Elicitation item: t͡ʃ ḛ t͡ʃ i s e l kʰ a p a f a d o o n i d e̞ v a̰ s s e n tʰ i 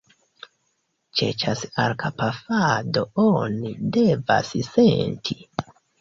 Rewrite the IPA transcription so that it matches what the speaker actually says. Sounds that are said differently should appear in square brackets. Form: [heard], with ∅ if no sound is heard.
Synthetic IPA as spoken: t͡ʃ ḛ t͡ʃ [a] s [a] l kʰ a p a f a d o o n i d e̞ v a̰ s s e n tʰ i